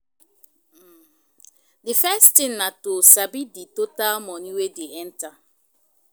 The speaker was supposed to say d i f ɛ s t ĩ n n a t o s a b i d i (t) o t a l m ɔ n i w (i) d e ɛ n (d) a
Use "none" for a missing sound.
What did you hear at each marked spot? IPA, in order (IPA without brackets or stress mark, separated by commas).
t, e, t